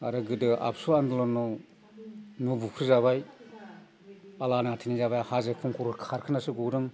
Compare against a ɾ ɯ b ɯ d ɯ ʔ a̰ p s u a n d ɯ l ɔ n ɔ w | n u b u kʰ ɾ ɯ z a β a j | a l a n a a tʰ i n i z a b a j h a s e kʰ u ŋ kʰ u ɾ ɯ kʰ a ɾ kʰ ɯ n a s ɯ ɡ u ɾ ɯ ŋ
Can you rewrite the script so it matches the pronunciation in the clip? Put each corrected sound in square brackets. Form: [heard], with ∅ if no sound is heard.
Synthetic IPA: a ɾ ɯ [ɡ] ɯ d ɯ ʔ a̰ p s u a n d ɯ l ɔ n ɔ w | n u b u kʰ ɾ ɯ z a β a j | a l a n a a tʰ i n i z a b a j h a [z] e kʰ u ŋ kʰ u ɾ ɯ kʰ a ɾ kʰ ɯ n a s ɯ ɡ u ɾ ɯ ŋ